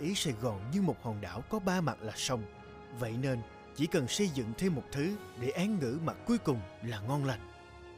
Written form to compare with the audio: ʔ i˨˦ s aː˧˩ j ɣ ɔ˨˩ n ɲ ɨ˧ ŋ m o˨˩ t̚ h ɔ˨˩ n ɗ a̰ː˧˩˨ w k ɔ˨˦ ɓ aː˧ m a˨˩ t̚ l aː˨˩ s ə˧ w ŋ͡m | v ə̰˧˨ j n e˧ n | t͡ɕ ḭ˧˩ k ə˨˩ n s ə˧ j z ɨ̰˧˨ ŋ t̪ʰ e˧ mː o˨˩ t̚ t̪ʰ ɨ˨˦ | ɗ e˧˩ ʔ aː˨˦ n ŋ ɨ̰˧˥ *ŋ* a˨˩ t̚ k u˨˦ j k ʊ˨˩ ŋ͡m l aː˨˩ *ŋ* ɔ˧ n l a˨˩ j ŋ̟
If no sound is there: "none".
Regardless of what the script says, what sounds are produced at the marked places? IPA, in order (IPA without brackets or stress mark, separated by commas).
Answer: m, ŋ